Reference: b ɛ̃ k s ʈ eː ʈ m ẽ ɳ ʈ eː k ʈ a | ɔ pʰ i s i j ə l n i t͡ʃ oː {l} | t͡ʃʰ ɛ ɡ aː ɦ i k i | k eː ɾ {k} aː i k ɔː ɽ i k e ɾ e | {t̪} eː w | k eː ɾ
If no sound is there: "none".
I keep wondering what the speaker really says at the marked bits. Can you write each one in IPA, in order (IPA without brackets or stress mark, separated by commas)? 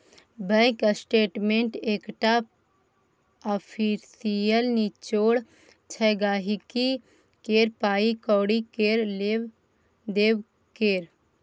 ɽ, p, d̪